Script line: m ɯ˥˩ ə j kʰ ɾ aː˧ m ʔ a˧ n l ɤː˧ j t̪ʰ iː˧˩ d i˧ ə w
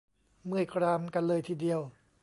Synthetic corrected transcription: m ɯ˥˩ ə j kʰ ɾ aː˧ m k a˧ n l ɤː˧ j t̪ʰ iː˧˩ d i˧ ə w